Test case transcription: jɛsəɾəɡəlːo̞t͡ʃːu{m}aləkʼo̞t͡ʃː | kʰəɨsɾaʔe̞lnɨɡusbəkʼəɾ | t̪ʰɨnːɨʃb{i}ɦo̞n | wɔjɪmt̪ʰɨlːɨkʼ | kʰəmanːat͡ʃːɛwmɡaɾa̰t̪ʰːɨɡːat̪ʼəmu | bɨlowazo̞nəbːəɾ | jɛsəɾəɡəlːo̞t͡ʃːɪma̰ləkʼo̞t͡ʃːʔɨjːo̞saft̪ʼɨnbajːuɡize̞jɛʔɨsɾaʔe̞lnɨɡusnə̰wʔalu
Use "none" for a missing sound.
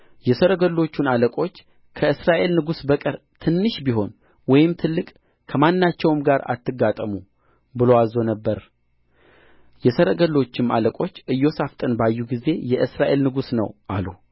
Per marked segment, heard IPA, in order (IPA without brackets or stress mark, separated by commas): n, i